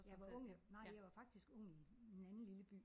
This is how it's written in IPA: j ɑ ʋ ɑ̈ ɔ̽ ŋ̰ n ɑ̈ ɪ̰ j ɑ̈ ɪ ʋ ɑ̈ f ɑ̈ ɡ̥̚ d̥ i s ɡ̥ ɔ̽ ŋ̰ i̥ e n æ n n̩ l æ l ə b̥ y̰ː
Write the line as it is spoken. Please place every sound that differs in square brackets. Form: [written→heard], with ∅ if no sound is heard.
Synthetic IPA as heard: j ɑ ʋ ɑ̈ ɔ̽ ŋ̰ n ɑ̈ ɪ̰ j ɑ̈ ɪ ʋ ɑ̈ f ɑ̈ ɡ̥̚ d̥ i s ɡ̥ ɔ̽ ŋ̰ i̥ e n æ n n̩ l [æ→i] l ə b̥ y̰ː